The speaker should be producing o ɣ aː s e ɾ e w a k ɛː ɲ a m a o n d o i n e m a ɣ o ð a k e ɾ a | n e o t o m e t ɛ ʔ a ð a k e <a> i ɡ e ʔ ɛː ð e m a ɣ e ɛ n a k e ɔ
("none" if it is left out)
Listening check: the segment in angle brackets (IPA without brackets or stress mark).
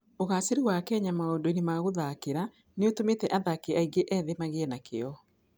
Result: a